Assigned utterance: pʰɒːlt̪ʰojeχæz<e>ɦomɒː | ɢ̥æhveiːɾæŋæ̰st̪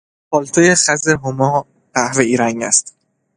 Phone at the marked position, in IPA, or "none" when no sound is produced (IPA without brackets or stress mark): e